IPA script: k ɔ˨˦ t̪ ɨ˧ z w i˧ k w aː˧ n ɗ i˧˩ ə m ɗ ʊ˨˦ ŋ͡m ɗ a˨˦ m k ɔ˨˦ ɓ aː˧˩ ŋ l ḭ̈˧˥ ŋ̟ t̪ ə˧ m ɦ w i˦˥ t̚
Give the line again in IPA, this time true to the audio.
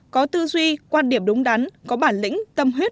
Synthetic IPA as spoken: k ɔ˨˦ t̪ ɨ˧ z w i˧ k w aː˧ n ɗ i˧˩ ə m ɗ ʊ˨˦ ŋ͡m ɗ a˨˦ n k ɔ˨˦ ɓ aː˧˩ n l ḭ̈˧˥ ŋ̟ t̪ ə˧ m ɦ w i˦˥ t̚